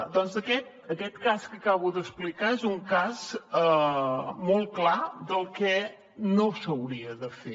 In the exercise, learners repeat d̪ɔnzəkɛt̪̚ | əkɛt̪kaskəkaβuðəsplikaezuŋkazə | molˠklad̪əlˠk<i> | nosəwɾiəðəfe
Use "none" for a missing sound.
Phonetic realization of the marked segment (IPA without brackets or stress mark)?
ɛ